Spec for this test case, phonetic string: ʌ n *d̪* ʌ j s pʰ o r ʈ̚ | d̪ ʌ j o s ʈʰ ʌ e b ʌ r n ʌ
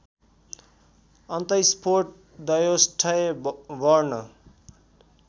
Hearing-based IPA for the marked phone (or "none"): t̪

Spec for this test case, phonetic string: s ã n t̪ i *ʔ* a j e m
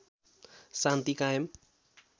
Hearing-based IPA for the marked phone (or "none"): k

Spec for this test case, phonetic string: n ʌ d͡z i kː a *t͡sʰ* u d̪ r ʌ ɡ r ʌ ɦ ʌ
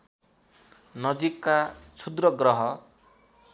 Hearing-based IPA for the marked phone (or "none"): t͡sʰ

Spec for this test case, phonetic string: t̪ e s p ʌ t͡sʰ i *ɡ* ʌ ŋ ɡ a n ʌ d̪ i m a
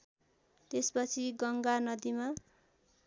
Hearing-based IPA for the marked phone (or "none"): ɡ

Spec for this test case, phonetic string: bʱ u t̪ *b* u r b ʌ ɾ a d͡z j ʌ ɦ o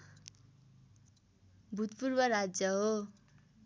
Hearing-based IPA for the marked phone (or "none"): p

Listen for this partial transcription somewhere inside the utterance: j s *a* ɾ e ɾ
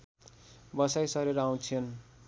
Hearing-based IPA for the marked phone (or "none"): ʌ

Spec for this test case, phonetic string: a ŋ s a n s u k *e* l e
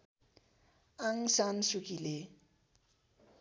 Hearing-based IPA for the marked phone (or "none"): i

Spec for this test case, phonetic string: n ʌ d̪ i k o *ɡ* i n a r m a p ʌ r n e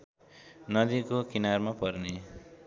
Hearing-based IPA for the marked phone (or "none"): k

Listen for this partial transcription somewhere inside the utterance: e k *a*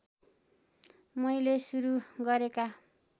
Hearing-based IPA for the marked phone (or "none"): a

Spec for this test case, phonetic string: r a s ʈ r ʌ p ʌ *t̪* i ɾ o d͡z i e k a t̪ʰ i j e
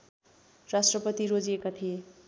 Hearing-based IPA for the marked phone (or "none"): t̪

